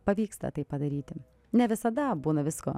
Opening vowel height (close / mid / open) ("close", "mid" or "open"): open